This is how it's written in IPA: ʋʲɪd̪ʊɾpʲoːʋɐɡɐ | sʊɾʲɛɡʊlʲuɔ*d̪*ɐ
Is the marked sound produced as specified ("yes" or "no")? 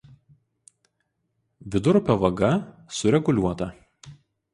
no